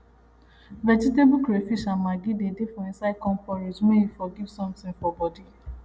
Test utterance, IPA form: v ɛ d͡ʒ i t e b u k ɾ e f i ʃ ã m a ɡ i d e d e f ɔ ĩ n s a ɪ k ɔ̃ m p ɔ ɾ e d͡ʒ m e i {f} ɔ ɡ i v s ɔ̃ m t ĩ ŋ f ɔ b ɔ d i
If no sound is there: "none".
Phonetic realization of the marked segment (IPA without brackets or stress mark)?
f